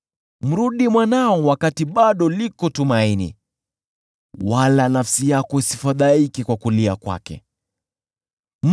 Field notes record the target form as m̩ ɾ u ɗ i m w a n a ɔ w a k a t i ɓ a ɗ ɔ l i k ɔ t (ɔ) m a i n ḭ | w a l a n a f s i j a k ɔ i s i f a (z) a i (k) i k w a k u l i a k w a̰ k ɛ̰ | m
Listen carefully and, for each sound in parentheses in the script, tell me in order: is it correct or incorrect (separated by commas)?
incorrect, incorrect, correct